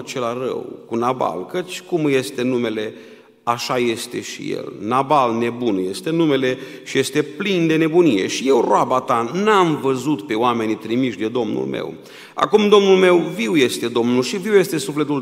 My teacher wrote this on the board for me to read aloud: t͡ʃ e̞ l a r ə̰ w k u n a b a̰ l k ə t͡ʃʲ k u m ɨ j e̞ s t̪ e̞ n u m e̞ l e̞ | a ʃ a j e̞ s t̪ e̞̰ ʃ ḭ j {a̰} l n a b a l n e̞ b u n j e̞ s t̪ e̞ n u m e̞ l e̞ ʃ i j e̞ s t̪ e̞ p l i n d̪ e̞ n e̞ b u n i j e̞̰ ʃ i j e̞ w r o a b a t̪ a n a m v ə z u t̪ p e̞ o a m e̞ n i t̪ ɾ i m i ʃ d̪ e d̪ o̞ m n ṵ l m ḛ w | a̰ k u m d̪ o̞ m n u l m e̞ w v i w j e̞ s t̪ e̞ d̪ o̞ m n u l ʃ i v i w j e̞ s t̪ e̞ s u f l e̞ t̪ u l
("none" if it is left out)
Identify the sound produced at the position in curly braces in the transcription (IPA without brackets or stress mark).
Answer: ḛ